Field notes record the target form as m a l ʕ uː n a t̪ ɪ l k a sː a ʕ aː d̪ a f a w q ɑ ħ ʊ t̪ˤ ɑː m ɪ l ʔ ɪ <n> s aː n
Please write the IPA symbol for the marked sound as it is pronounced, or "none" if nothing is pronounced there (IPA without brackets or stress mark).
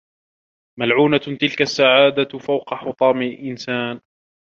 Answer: n